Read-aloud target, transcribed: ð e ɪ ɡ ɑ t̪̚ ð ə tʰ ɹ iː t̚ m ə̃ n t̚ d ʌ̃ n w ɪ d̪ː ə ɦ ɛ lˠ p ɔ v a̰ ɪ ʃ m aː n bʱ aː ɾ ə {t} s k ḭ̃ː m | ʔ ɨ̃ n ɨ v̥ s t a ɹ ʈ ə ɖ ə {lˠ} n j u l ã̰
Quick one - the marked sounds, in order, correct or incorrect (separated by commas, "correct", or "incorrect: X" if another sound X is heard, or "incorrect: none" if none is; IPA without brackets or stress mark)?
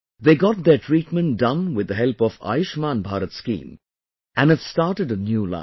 correct, incorrect: none